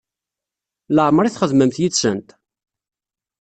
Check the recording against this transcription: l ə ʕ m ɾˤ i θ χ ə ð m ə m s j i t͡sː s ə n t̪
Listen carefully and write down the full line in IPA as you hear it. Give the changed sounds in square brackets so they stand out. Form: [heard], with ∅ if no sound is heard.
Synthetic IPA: l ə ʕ m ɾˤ i θ χ ə ð m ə m [θ] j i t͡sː s ə n t̪